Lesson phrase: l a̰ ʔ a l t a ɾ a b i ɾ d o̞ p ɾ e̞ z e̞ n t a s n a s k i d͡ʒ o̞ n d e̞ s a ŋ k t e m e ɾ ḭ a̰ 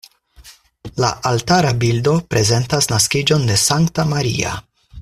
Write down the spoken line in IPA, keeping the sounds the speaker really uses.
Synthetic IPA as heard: l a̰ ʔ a l t a ɾ a b i l d o̞ p ɾ e̞ z e̞ n t a s n a s k i d͡ʒ o̞ n d e̞ s a ŋ k t a m a ɾ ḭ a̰